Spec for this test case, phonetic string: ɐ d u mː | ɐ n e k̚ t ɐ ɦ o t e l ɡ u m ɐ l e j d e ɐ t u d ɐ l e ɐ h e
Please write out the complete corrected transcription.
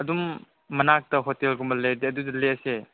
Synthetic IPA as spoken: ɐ d u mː | ɐ n a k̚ t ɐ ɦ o t e l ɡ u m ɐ l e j d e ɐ d u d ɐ l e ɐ s e